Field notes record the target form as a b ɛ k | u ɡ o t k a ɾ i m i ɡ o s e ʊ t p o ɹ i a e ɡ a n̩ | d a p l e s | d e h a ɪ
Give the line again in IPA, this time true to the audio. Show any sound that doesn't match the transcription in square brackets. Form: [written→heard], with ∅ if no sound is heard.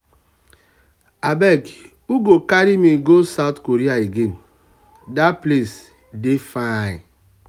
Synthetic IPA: a b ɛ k | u ɡ o [t→∅] k a ɾ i m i ɡ o s [e→a] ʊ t [p→k] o [ɹ→ɾ] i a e ɡ [a→e] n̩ | d a p l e s | d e [h→f] a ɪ